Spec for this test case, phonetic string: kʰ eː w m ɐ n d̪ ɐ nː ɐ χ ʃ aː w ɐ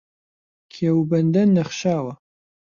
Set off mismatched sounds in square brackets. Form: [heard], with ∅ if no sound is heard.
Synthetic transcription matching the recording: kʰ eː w [b] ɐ n d̪ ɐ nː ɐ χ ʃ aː w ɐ